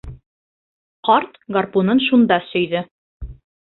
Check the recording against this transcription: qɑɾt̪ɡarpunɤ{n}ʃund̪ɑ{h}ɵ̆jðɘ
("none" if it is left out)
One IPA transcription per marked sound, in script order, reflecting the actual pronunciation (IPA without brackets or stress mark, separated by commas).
n, s